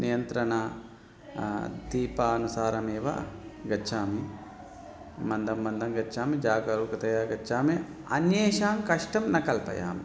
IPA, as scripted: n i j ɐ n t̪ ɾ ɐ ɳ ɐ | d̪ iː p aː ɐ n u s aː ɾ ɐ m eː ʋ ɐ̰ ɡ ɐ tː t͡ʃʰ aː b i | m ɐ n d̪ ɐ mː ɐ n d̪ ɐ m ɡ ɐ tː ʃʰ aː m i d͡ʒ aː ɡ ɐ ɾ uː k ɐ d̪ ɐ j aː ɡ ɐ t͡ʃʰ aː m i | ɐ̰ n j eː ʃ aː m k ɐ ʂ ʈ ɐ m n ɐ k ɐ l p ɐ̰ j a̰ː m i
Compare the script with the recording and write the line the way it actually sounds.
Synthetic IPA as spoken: n i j ɐ n t̪ ɾ ɐ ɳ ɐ | d̪ iː p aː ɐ n u s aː ɾ ɐ m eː ʋ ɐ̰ ɡ ɐ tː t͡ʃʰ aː m i | m ɐ n d̪ ɐ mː ɐ n d̪ ɐ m ɡ ɐ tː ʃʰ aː m i d͡ʒ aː ɡ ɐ ɾ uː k ɐ t̪ ɐ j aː ɡ ɐ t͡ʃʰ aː m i | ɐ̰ n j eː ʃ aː m k ɐ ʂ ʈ ɐ m n ɐ k ɐ l p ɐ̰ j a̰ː m i

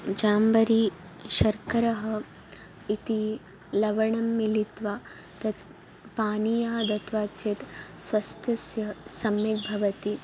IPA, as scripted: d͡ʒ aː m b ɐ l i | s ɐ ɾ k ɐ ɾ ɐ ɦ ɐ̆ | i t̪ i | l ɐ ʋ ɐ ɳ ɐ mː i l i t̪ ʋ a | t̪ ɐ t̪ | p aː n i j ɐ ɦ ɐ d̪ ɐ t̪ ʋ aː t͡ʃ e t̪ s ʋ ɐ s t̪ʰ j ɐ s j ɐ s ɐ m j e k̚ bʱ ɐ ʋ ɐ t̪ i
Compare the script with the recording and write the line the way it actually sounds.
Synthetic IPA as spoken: d͡ʒ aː m b ɐ ɾ i | ʃ ɐ ɾ k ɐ ɾ ɐ ɦ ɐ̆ | i t̪ i | l ɐ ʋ ɐ ɳ ɐ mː i l i t̪ ʋ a | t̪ ɐ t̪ | p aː n i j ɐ ɦ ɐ d̪ ɐ t̪ ʋ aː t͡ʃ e t̪ s ʋ ɐ s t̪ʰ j ɐ s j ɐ s ɐ m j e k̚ bʱ ɐ ʋ ɐ t̪ i

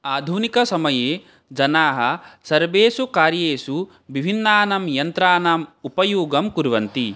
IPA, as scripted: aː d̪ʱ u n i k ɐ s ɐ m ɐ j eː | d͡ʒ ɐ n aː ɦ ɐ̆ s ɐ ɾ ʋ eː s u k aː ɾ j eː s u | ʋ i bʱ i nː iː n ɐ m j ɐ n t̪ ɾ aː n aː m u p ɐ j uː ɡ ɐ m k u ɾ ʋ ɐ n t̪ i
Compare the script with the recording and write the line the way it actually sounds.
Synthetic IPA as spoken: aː d̪ʱ u n i k ɐ s ɐ m ɐ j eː | d͡ʒ ɐ n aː ɦ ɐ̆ s ɐ ɾ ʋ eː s u k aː ɾ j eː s u | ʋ i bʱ i nː aː n ɐ m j ɐ n t̪ ɾ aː n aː m u p ɐ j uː ɡ ɐ m k u ɾ ʋ ɐ n t̪ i

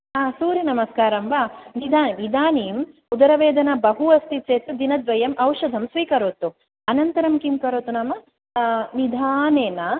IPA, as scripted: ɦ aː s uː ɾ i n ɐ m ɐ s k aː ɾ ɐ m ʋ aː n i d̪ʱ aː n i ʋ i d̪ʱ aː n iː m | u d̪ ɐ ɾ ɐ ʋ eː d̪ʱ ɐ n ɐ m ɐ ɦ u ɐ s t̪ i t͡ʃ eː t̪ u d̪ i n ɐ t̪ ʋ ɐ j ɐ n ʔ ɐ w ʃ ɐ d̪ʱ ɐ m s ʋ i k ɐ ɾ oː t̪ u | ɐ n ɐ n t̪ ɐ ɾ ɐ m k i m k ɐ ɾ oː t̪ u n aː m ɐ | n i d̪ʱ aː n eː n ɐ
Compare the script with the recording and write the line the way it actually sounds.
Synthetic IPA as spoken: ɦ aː s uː ɾ i n ɐ m ɐ s k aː ɾ ɐ m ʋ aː n i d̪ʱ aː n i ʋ i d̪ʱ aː n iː m | u d̪ ɐ ɾ ɐ ʋ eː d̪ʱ ɐ n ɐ b ɐ ɦ u ɐ s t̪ i t͡ʃ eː t̪ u d̪ i n ɐ d̪ ʋ ɐ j ɐ m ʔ ɐ w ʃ ɐ d̪ʱ ɐ m s ʋ iː k ɐ ɾ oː t̪ u | ɐ n ɐ n t̪ ɐ ɾ ɐ m k i m k ɐ ɾ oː t̪ u n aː m ɐ | n i d̪ʱ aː n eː n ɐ

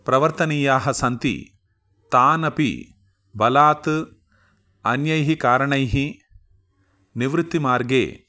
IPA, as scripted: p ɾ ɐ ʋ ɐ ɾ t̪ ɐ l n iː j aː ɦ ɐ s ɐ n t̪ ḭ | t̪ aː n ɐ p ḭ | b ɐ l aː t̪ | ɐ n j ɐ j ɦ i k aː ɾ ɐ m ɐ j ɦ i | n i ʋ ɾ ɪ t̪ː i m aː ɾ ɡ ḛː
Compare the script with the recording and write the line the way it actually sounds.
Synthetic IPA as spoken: p ɾ ɐ ʋ ɐ ɾ t̪ ɐ n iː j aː ɦ ɐ s ɐ n t̪ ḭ | t̪ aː n ɐ p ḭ | b ɐ l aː t̪ | ɐ n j ɐ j ɦ i k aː ɾ ɐ ɳ ɐ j ɦ i | n i ʋ ɾ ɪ t̪ː i m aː ɾ ɡ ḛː

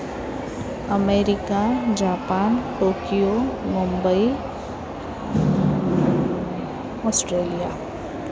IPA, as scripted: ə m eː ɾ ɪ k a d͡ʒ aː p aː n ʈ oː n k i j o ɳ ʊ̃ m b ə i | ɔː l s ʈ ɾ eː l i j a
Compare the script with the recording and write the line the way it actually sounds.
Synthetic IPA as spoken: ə m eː ɾ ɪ k a d͡ʒ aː p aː n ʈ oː k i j o m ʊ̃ m b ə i | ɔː s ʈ ɾ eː l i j a

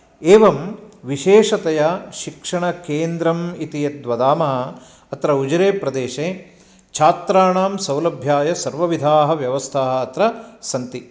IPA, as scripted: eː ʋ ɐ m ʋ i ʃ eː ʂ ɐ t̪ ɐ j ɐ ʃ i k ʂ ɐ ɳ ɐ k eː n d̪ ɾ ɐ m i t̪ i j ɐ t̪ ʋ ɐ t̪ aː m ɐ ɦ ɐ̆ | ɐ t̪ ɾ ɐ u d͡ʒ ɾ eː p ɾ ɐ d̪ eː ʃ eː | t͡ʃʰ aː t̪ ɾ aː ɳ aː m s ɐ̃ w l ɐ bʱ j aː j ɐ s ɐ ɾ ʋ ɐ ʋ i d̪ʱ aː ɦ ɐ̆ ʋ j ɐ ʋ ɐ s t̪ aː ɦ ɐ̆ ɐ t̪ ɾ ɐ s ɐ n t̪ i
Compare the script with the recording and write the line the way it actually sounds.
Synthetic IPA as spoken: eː ʋ ɐ m ʋ i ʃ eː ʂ ɐ t̪ ɐ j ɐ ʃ i k ʂ ɐ ɳ ɐ k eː n d̪ ɾ ɐ m i t̪ i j ɐ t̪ ʋ ɐ d̪ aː m ɐ ɦ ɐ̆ | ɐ t̪ ɾ ɐ u d͡ʒ ɾ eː p ɾ ɐ d̪ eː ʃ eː | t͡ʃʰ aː t̪ ɾ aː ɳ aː m s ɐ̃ w l ɐ bʱ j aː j ɐ s ɐ ɾ ʋ ɐ ʋ i d̪ʱ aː ɦ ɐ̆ ʋ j ɐ ʋ ɐ s t̪ʰ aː ɦ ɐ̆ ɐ t̪ ɾ ɐ s ɐ n t̪ i

